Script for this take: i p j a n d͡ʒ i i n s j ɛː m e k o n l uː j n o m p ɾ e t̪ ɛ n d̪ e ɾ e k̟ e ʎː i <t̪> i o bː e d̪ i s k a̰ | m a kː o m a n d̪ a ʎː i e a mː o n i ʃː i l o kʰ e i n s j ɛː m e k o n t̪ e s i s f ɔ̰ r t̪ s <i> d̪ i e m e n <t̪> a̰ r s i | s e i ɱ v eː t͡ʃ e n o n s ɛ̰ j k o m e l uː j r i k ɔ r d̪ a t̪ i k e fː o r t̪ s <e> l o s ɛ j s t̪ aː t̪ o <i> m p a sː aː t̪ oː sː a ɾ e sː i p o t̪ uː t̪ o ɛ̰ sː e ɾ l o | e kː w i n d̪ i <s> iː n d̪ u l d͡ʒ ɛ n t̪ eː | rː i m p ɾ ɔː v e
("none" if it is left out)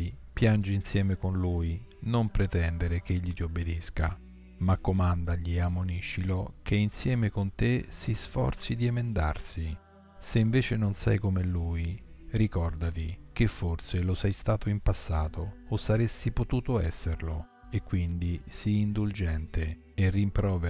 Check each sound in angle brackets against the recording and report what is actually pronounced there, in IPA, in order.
t̪, i, d̪, e, i, s

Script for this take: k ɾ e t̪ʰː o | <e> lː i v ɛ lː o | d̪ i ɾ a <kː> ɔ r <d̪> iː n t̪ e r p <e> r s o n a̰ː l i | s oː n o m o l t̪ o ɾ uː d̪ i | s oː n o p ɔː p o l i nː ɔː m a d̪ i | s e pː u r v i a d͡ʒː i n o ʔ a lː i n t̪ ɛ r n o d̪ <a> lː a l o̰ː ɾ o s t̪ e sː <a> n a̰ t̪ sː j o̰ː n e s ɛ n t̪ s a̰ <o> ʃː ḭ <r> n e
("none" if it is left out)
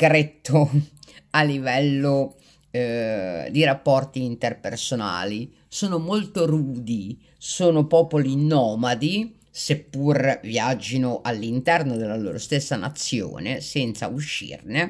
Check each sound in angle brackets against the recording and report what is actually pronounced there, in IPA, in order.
a, pː, t̪, e, e, a, u, r

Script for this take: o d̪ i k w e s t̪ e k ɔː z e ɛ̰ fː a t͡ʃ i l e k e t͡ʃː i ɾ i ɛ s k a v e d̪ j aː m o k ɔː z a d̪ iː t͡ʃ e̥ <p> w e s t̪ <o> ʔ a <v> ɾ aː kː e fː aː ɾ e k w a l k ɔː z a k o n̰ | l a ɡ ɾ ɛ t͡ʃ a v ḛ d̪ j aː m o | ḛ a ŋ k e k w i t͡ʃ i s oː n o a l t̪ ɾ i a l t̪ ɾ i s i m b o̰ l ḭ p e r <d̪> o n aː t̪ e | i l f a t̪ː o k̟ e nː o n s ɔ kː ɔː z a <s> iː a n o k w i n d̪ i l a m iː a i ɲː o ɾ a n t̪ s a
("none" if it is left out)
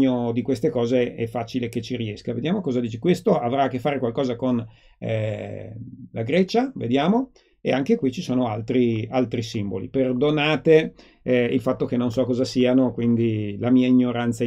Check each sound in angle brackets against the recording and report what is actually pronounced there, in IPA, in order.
k, o, v, d̪, s

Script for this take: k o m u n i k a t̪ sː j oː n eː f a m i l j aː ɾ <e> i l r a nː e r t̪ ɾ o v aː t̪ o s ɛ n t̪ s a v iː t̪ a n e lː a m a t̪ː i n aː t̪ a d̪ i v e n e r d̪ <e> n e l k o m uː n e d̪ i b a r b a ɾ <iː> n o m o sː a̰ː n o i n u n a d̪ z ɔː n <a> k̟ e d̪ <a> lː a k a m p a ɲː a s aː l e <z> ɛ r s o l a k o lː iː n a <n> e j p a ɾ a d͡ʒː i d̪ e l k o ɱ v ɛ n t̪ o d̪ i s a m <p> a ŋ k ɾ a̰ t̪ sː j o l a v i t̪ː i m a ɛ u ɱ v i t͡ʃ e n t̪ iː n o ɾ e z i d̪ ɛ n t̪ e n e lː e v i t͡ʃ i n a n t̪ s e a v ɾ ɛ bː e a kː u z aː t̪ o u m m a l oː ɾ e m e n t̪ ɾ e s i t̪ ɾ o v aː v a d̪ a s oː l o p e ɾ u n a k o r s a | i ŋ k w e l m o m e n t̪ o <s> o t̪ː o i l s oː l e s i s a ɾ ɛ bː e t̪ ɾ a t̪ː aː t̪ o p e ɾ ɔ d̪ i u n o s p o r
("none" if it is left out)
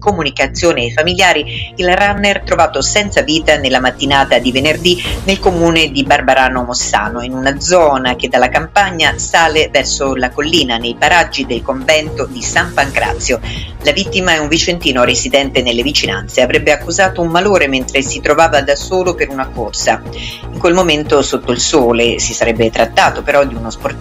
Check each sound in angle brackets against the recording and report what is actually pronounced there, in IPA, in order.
i, i, aː, a, a, v, n, p, s

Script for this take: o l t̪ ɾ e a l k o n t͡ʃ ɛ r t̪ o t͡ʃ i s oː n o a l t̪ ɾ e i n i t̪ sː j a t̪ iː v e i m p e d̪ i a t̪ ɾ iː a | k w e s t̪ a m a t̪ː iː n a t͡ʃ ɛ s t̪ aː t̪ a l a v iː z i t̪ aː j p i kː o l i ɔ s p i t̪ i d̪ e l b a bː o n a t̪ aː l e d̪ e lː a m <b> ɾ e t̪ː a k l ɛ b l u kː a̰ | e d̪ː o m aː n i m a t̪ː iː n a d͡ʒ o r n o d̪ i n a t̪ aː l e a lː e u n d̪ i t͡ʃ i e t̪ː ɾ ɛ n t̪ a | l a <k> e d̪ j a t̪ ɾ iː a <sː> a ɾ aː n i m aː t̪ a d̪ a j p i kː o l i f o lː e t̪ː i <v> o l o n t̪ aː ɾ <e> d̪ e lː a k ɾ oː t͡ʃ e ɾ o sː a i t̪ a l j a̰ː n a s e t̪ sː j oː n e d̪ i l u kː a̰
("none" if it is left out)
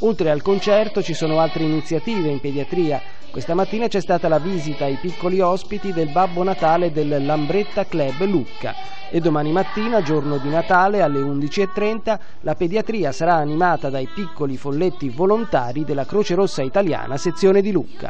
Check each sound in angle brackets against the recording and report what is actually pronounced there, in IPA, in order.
b, p, s, v, i

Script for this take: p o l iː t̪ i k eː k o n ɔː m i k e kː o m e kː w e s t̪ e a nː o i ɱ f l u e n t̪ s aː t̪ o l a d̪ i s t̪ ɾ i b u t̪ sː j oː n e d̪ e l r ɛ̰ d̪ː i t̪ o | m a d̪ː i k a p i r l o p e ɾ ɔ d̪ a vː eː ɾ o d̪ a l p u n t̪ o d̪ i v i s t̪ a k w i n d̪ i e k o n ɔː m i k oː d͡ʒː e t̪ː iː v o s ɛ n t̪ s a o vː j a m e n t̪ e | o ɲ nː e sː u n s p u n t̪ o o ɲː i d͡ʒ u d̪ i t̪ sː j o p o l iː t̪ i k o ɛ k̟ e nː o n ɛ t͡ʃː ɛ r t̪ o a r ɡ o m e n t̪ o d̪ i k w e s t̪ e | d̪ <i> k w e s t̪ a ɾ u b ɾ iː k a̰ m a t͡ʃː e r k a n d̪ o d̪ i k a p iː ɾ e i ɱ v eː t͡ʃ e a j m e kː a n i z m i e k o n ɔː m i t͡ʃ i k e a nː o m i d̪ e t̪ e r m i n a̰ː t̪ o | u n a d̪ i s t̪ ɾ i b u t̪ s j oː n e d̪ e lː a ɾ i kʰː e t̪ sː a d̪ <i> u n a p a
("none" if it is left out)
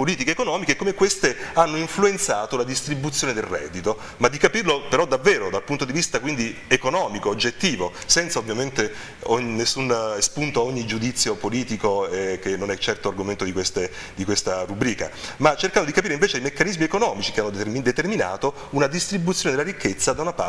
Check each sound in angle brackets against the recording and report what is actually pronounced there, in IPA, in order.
i, a

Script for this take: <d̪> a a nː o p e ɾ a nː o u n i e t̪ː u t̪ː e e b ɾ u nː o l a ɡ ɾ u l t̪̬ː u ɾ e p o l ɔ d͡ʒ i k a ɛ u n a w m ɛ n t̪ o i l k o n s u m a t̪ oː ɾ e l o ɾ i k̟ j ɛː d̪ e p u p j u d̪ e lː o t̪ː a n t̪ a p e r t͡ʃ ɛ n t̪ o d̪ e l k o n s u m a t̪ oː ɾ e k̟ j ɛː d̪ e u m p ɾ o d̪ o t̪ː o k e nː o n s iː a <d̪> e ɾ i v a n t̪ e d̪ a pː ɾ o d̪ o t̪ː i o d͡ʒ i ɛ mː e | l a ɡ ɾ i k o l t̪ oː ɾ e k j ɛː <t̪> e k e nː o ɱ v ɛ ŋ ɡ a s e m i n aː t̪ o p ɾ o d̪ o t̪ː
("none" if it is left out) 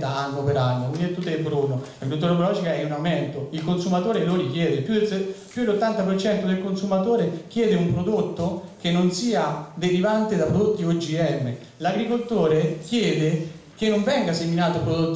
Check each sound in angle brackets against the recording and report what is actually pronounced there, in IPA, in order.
t̪, d̪, d̪

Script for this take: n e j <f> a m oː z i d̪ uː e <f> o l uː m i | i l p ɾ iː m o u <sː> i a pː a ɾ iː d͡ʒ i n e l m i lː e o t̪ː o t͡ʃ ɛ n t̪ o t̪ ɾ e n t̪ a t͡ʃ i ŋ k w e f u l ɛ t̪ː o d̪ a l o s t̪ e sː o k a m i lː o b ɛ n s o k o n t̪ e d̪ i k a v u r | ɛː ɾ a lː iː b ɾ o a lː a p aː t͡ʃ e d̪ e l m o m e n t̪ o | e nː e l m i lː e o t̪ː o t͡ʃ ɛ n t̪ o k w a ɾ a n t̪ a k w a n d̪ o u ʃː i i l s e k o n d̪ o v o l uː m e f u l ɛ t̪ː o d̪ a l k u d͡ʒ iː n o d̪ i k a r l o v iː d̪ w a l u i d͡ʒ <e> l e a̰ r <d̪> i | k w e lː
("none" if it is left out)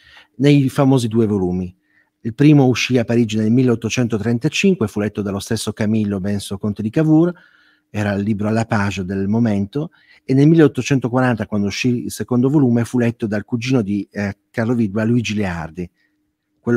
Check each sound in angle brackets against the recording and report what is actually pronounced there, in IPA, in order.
f, v, ʃː, i, d̪

